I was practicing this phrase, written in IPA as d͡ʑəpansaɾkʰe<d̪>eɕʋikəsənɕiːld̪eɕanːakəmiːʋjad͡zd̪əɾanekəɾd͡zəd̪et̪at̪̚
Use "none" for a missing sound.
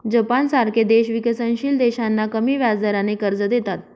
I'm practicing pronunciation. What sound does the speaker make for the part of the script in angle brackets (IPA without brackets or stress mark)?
d̪